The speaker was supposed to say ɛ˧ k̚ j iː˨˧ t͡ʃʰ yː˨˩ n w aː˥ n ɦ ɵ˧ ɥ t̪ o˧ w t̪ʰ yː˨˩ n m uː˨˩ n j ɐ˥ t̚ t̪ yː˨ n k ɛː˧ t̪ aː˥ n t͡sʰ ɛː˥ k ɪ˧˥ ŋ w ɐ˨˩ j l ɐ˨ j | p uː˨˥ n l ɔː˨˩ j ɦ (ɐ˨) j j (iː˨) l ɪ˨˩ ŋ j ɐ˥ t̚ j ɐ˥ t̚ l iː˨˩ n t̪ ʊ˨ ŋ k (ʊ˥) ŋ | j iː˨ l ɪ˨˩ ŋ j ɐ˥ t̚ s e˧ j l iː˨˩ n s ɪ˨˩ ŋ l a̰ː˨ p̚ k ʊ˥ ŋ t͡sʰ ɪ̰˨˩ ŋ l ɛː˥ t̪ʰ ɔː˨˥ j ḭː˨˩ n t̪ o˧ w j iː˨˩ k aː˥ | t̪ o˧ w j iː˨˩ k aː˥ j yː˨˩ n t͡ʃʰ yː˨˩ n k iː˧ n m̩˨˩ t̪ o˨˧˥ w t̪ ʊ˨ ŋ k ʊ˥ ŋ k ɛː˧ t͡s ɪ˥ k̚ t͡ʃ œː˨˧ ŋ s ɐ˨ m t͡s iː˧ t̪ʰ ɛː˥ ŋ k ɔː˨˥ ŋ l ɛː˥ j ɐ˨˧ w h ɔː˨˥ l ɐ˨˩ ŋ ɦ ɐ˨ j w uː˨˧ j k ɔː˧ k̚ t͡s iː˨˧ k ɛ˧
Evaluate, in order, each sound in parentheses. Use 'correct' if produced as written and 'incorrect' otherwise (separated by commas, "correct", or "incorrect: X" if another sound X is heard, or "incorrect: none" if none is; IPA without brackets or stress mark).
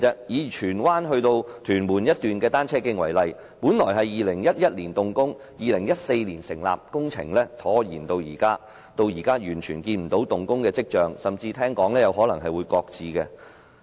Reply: correct, correct, correct